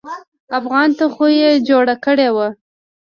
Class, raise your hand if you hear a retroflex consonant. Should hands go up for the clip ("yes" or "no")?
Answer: yes